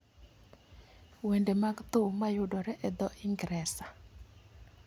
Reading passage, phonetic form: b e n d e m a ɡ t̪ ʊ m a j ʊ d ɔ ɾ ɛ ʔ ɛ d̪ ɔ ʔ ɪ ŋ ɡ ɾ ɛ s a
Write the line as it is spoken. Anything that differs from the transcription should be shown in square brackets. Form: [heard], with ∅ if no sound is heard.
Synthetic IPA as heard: [w] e n d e m a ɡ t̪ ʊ m a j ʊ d ɔ ɾ ɛ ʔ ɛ d̪ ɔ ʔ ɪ ŋ ɡ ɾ ɛ s a